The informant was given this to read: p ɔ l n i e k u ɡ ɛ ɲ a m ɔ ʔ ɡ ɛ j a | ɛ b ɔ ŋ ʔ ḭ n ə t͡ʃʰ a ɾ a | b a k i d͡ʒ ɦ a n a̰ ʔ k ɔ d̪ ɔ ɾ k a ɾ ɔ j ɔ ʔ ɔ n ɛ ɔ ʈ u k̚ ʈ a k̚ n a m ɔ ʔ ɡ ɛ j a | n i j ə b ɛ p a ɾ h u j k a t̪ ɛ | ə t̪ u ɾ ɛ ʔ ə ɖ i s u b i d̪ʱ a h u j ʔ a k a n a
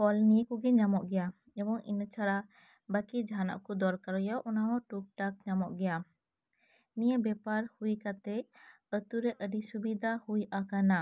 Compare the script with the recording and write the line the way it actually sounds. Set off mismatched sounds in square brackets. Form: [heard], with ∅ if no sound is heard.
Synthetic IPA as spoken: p ɔ l n i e k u ɡ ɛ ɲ a m ɔ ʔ ɡ ɛ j a | ɛ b ɔ ŋ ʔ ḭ n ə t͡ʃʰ a ɾ a | b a k i d͡ʒ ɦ a n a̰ ʔ k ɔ d̪ ɔ ɾ k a ɾ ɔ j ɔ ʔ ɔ n [a] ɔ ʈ u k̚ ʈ a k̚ [ɲ] a m ɔ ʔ ɡ ɛ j a | n i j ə b ɛ p a ɾ h u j k a t̪ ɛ | ə t̪ u ɾ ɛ ʔ ə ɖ i s u b i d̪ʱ a h u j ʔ a k a n a